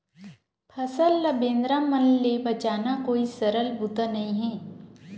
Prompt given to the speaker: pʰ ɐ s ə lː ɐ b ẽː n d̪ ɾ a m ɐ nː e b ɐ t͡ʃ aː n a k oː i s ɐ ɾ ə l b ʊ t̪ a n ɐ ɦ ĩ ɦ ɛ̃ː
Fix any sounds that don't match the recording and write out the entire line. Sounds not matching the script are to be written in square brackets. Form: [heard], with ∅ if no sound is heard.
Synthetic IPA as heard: pʰ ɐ s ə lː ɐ b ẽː n d̪ ɾ a m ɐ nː e b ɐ t͡ʃ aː n a k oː i s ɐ ɾ ə l b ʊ t̪ a n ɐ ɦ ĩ ɦ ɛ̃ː